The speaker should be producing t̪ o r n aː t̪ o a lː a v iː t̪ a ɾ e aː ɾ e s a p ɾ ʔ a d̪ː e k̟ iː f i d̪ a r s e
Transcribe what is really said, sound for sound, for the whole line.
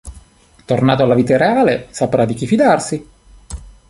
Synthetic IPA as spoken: t̪ o r n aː t̪ o a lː a v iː t̪ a ɾ e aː l e s a p ɾ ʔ a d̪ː i k̟ i f i d̪ a r s i